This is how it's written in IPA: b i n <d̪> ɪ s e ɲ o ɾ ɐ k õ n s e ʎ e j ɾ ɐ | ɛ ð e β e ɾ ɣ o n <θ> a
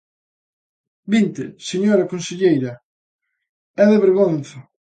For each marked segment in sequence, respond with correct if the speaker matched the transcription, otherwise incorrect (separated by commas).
incorrect, correct